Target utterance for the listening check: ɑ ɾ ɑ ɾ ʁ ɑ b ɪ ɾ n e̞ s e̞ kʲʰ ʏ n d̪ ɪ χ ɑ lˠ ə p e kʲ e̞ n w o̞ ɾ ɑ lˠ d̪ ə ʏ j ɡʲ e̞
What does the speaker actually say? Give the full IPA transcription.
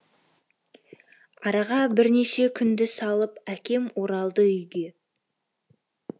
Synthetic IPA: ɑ ɾ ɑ ʁ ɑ b ɪ ɾ n e̞ ʃ e̞ kʲʰ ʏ n d̪ ɪ s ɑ lˠ ə p æ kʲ e̞ m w o̞ ɾ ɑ lˠ d̪ ə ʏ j ɡʲ e̞